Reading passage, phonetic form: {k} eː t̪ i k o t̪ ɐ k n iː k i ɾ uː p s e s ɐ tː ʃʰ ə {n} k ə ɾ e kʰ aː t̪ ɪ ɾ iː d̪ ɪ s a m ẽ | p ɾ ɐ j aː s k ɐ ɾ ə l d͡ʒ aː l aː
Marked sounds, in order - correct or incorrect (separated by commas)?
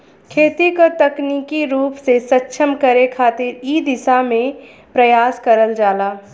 incorrect, incorrect